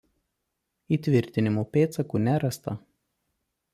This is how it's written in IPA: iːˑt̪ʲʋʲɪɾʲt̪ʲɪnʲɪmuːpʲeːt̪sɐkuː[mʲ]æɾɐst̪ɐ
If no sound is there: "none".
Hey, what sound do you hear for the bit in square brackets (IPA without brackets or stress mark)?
nʲ